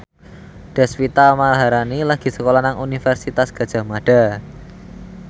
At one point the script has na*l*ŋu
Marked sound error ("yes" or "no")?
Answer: yes